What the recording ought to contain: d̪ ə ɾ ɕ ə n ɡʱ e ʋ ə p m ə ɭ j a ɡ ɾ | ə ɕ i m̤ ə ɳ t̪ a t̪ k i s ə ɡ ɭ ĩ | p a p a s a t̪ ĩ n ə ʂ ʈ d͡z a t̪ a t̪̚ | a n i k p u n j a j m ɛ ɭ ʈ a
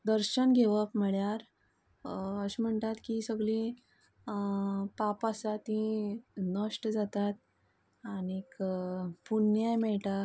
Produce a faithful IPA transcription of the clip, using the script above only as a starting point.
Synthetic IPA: d̪ ə ɾ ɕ ə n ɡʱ e ʋ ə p m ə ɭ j a ɾ | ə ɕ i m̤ ə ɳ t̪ a t̪ k i s ə ɡ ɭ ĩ | p a p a s a t̪ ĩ n ə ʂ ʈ d͡z a t̪ a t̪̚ | a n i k p u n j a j m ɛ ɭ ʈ a